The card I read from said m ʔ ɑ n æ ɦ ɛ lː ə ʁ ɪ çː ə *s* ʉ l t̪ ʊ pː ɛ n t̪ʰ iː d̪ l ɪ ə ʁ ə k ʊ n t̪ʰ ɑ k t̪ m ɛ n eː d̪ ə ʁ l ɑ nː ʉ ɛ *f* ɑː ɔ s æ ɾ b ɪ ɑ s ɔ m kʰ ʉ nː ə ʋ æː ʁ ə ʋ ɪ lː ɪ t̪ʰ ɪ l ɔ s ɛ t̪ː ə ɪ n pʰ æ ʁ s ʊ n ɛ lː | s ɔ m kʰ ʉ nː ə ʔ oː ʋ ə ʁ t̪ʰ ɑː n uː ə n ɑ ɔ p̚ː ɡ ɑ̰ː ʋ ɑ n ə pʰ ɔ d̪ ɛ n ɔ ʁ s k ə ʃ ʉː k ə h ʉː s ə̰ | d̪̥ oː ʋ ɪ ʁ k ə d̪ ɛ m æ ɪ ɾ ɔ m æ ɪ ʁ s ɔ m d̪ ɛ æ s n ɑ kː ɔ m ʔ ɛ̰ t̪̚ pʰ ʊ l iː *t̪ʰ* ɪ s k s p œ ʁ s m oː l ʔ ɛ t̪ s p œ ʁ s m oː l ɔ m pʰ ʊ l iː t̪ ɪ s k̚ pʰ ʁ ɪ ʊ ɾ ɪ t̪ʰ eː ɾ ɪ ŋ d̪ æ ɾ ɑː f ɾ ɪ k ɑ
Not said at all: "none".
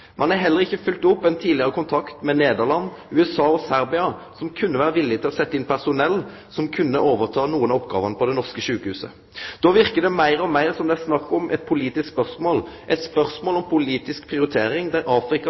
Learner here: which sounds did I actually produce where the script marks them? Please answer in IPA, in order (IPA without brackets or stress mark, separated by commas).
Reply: f, s, t̪